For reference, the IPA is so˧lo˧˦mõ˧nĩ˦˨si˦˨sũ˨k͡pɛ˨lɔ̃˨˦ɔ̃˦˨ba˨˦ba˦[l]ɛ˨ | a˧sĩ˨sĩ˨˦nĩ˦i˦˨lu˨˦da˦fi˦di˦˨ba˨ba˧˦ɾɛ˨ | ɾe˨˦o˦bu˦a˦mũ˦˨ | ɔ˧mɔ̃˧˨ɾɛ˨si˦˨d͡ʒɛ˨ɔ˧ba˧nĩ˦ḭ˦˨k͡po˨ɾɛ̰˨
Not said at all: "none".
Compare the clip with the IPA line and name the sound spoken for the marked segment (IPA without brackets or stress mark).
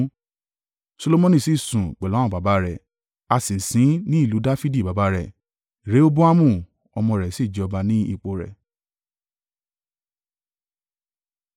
ɾ